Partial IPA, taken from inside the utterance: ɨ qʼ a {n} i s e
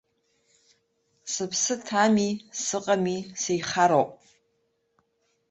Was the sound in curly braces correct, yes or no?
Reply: no